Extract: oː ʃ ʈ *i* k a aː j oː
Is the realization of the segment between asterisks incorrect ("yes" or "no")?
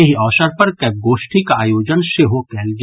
no